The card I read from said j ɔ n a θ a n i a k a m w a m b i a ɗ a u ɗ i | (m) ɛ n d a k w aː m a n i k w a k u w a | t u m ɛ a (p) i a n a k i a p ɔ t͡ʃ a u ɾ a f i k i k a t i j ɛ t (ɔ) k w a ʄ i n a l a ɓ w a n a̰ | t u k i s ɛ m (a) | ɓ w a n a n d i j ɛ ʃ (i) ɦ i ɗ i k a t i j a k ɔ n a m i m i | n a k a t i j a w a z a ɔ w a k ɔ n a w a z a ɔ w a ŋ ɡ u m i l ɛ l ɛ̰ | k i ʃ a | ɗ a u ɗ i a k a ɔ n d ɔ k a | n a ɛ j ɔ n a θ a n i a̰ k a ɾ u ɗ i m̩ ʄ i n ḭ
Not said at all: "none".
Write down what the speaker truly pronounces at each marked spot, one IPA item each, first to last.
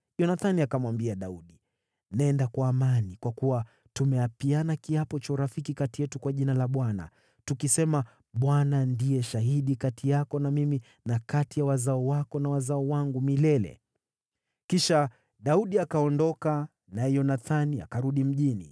n, p, u, a, a

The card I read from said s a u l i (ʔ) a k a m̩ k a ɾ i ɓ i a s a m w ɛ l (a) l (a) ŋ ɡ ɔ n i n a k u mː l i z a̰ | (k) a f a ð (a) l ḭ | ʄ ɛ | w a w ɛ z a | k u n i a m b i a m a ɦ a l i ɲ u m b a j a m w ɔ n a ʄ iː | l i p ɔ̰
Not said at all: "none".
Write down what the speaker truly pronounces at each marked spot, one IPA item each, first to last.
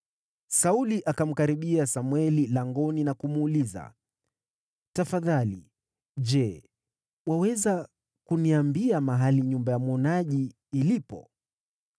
ʔ, i, a, t, a

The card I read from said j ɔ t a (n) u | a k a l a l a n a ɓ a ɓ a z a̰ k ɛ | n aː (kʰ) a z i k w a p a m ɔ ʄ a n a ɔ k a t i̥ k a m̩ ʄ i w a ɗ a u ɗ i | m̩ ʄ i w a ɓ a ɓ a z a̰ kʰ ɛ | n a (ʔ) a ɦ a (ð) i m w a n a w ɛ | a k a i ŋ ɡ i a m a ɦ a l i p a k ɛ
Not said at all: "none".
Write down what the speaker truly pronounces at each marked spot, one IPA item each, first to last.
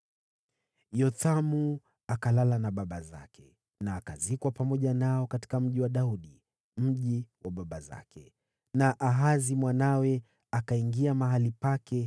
m, k, ʔ, z

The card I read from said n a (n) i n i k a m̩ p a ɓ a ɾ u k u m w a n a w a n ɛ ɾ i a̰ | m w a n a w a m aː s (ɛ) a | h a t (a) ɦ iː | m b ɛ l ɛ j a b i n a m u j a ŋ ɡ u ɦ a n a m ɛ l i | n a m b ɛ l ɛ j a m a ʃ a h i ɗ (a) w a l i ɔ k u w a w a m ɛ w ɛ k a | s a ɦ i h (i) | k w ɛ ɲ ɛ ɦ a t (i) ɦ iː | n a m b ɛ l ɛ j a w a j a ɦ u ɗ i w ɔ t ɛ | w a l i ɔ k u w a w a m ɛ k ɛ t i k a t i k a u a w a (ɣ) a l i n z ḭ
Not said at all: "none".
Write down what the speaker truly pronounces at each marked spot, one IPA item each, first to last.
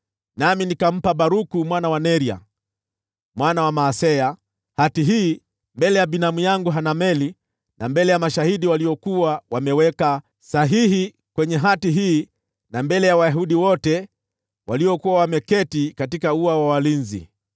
m, ɛ, i, i, i, i, w

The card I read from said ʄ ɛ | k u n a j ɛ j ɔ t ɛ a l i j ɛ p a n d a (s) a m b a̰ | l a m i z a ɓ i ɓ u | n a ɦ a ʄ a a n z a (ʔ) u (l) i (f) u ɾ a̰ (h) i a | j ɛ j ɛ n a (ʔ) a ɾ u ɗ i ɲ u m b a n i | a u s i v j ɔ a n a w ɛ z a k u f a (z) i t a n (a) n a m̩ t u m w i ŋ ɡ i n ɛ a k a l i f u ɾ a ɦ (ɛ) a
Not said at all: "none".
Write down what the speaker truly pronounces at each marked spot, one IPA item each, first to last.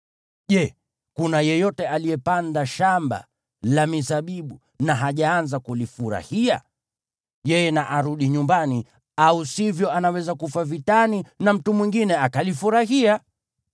ʃ, k, l, f, h, ʔ, v, i, i

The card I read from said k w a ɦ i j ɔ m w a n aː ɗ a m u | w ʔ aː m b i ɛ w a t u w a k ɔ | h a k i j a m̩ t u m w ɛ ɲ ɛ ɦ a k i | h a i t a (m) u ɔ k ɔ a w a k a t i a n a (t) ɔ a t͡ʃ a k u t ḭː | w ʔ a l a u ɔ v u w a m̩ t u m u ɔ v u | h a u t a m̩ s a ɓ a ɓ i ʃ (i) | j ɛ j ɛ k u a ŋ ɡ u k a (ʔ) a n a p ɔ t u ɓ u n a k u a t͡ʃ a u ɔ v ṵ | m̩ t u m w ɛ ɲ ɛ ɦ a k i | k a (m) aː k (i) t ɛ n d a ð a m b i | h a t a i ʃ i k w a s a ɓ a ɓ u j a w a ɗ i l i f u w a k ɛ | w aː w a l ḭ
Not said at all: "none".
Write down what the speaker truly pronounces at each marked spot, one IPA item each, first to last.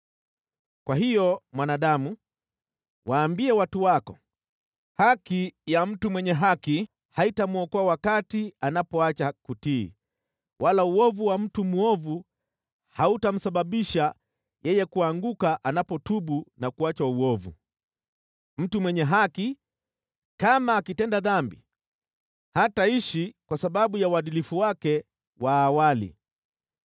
m, p, a, ʔ, m, i

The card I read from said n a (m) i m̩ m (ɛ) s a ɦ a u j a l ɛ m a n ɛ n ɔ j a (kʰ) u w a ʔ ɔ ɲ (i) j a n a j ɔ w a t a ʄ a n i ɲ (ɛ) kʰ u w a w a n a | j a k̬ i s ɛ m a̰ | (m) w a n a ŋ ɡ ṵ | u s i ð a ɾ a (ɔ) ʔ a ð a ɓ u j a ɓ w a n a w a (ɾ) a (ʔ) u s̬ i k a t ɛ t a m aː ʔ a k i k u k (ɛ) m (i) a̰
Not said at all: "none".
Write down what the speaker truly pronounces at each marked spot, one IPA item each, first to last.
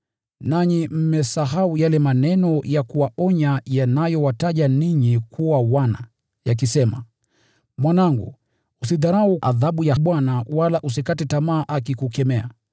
ɲ, ɛ, k, a, i, m, u, l, ʔ, ɛ, ɛ

